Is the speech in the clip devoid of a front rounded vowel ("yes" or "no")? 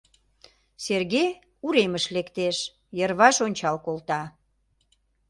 yes